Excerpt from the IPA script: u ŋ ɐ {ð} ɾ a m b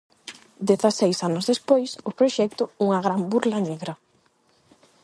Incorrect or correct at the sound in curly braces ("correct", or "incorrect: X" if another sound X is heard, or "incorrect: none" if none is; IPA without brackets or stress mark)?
incorrect: ɣ